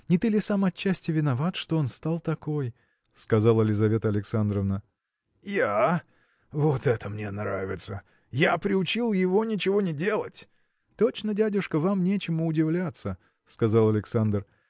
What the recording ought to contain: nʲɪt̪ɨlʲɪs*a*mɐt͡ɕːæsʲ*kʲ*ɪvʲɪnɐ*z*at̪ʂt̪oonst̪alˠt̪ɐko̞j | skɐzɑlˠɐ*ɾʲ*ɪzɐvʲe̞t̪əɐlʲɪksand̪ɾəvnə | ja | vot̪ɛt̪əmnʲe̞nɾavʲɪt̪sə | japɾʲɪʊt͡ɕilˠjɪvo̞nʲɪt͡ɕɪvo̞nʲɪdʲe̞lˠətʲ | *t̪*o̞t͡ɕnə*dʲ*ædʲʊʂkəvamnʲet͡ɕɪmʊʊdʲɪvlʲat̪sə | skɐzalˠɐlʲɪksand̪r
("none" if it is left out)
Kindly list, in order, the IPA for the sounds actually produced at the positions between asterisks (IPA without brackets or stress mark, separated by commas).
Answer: a, tʲ, v, lʲ, t̪, dʲ